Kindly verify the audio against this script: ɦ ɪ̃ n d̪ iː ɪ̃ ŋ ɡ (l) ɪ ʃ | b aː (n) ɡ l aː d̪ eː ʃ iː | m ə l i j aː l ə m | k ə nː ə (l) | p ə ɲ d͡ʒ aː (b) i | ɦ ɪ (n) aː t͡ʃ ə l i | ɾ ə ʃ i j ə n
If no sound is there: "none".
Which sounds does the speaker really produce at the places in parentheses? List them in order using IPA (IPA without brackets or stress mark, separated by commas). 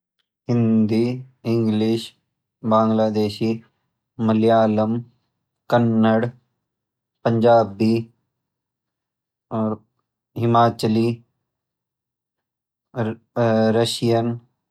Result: l, ŋ, ɽ, b, m